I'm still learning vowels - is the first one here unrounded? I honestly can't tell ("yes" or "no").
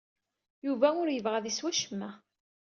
no